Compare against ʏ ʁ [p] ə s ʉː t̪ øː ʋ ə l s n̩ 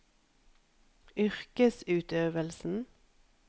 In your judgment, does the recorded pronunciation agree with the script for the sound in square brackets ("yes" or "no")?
no